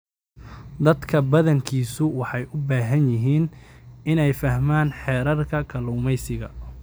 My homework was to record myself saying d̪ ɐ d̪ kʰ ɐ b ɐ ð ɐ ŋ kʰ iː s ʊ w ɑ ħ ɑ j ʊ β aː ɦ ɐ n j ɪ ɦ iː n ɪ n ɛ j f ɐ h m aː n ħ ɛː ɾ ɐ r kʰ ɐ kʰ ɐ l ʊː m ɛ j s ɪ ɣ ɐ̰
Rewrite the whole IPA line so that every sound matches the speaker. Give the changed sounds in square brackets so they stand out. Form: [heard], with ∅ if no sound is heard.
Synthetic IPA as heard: d̪ ɐ d̪ kʰ ɐ b ɐ ð ɐ ŋ kʰ iː s ʊ w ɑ ħ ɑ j ʊ [b] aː ɦ ɐ n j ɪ ɦ iː n ɪ n ɛ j f ɐ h m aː n ħ ɛː ɾ ɐ r kʰ ɐ kʰ ɐ l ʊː m ɛ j s ɪ ɣ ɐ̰